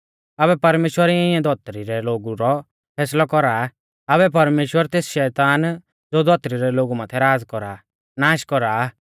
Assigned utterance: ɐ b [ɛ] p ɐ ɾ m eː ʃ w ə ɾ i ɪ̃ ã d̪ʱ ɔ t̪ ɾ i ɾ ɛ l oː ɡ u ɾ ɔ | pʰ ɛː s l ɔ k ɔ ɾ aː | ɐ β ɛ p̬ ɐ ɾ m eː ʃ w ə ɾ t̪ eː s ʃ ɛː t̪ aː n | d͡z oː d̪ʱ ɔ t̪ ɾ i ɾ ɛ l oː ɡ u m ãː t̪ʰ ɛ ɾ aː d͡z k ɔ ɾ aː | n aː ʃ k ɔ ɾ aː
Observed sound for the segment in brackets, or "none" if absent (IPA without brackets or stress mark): ɛ